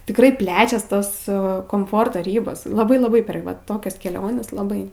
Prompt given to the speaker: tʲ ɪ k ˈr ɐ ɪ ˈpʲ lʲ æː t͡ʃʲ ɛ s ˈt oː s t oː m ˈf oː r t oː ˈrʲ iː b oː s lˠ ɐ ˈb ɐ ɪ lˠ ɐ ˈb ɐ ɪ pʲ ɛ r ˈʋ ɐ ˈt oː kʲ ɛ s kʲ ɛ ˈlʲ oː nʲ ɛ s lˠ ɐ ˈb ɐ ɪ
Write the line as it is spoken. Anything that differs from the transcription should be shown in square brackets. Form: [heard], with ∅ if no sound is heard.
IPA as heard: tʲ ɪ k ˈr ɐ ɪ ˈpʲ lʲ æː t͡ʃʲ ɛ s ˈt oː s [k] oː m ˈf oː r t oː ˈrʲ iː b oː s lˠ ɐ ˈb ɐ ɪ lˠ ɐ ˈb ɐ ɪ pʲ ɛ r ˈʋ ɐ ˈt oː kʲ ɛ s kʲ ɛ ˈlʲ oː nʲ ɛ s lˠ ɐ ˈb ɐ ɪ

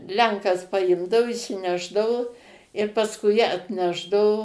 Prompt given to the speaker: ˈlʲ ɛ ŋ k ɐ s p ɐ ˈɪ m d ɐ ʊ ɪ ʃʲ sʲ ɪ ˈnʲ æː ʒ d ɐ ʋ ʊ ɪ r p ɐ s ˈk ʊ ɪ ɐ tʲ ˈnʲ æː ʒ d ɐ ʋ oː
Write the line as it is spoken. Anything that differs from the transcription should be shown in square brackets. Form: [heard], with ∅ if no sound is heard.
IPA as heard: ˈlʲ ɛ ŋ k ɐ s p ɐ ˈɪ m d ɐ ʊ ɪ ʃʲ sʲ ɪ ˈnʲ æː ʒ d ɐ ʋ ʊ ɪ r p ɐ s ˈk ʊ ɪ ɐ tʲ ˈnʲ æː ʒ d ɐ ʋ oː

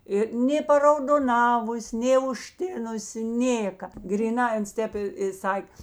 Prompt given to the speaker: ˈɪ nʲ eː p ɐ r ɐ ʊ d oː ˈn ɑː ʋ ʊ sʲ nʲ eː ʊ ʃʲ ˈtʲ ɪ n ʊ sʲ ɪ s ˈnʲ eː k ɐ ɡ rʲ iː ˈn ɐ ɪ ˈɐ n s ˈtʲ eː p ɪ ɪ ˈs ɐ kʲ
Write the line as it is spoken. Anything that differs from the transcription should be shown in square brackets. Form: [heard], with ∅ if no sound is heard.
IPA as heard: ˈɪ nʲ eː p ɐ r ɐ ʊ d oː ˈn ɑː ʋ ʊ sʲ nʲ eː ʊ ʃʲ ˈtʲ ɪ n ʊ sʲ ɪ [∅] ˈnʲ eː k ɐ ɡ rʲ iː ˈn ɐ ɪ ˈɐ n s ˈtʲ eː p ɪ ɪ ˈs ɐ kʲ

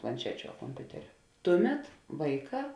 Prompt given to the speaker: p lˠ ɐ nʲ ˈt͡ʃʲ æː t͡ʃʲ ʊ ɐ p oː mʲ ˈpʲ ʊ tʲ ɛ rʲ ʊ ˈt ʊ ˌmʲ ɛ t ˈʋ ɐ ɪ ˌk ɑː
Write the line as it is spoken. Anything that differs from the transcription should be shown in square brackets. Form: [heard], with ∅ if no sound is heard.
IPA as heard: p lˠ ɐ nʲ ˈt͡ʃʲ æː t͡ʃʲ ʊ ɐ [k] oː mʲ ˈpʲ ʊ tʲ ɛ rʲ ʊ ˈt ʊ ˌmʲ ɛ t ˈʋ ɐ ɪ ˌk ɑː

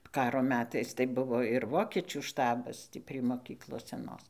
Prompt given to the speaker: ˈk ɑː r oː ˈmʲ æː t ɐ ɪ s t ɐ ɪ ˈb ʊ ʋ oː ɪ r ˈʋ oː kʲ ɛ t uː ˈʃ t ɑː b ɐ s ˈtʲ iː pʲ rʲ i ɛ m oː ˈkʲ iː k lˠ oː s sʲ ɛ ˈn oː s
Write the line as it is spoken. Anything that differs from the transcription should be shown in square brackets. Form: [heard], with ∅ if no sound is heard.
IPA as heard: ˈk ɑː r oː ˈmʲ æː t ɐ ɪ s t ɐ ɪ ˈb ʊ ʋ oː ɪ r ˈʋ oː kʲ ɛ [t͡ʃʲ] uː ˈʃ t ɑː b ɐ s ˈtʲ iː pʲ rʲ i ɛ m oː ˈkʲ iː k lˠ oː s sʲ ɛ ˈn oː s

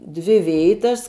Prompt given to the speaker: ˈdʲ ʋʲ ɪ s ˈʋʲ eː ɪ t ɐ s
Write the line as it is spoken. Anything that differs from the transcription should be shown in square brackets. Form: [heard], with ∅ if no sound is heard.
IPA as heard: ˈdʲ ʋʲ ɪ [∅] ˈʋʲ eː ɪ t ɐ s

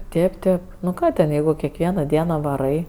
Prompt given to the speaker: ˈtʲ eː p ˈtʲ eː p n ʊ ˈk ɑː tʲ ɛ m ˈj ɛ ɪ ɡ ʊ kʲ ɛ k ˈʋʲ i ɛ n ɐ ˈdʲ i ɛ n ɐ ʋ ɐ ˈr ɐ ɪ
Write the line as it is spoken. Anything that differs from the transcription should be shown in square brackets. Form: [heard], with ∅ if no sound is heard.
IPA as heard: ˈtʲ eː p ˈtʲ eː p n ʊ ˈk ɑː tʲ ɛ [n] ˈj ɛ ɪ ɡ ʊ kʲ ɛ k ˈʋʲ i ɛ n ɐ ˈdʲ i ɛ n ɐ ʋ ɐ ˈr ɐ ɪ

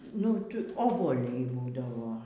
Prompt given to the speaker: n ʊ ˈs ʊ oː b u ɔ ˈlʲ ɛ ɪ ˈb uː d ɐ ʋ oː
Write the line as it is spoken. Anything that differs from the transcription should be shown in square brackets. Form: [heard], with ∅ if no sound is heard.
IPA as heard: n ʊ [ˈt] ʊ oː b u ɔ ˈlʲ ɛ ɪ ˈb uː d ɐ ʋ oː

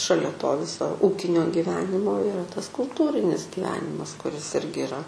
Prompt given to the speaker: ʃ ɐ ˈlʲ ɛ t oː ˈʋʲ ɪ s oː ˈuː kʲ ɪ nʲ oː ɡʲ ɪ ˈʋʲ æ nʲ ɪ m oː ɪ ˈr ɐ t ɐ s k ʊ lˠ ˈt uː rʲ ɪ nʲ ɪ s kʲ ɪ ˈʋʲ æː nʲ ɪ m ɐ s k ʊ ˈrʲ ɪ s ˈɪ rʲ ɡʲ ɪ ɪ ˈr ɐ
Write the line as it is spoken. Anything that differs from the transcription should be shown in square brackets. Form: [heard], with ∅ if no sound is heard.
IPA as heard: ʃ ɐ ˈlʲ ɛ t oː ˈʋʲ ɪ s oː ˈuː kʲ ɪ nʲ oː ɡʲ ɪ ˈʋʲ [æː] nʲ ɪ m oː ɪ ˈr ɐ t ɐ s k ʊ lˠ ˈt uː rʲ ɪ nʲ ɪ s [ɡʲ] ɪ ˈʋʲ æː nʲ ɪ m ɐ s k ʊ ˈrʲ ɪ s ˈɪ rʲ ɡʲ ɪ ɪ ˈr ɐ

